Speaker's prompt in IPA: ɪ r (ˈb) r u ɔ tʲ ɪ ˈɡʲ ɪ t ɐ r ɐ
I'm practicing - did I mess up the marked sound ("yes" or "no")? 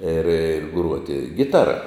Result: yes